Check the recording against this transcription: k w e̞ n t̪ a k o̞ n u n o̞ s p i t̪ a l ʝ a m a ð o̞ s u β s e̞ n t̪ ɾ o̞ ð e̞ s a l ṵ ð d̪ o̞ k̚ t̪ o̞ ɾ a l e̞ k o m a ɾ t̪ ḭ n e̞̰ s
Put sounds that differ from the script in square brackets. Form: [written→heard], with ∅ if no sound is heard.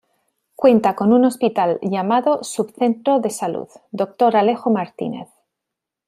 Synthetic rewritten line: k w e̞ n t̪ a k o̞ n u n o̞ s p i t̪ a l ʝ a m a ð o̞ s u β [s→θ] e̞ n t̪ ɾ o̞ ð e̞ s a l ṵ ð d̪ o̞ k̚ t̪ o̞ ɾ a l e̞ [k→x] o m a ɾ t̪ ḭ n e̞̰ [s→θ]